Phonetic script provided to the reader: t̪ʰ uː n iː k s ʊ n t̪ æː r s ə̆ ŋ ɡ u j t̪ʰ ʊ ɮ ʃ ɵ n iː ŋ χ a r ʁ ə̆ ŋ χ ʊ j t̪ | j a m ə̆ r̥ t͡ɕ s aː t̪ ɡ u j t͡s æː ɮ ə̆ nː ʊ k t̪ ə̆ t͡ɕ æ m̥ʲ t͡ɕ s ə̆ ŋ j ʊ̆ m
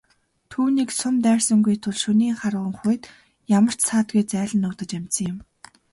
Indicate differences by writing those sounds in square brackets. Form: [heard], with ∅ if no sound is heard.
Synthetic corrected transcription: t̪ʰ uː n iː k s ʊ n t̪ æː r s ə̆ ŋ ɡ u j t̪ʰ ʊ ɮ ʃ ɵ n iː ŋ χ a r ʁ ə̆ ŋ χ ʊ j t̪ | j a m ə̆ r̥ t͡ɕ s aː t̪ ɡ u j t͡s æː ɮ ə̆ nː ʊ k t̪ ə̆ t͡ɕ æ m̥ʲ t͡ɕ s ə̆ ŋ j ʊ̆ m